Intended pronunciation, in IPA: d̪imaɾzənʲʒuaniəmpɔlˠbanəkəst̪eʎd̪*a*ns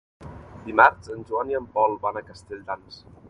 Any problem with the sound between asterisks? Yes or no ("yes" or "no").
no